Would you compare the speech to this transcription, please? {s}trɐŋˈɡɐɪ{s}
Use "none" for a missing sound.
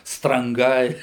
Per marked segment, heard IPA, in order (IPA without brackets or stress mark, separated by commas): s, none